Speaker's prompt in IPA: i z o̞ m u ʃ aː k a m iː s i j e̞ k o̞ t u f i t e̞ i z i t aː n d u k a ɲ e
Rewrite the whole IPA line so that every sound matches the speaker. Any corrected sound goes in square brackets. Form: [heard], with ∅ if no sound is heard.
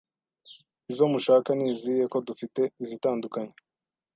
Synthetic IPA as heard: i z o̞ m u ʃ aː k a [n] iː [z] i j e̞ k o̞ [d] u f i t e̞ i z i t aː n d u k a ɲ e